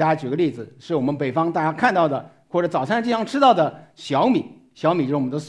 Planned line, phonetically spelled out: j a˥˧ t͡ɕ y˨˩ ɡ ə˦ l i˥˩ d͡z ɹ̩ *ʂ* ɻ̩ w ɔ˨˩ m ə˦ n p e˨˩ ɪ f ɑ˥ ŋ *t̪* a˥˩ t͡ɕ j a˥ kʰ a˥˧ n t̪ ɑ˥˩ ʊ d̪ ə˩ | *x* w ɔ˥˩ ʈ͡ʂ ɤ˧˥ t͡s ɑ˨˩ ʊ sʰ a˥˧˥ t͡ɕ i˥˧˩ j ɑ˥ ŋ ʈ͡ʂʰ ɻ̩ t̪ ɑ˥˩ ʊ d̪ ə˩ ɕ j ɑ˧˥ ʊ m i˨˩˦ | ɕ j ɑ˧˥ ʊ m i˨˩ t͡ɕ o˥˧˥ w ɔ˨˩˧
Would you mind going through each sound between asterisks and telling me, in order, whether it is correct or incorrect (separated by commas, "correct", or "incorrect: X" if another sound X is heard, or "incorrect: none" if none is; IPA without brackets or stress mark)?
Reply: correct, correct, correct